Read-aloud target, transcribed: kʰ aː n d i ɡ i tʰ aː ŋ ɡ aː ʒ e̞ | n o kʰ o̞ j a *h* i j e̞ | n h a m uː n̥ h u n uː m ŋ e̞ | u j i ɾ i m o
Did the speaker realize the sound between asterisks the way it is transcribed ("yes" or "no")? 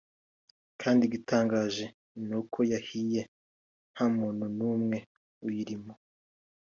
yes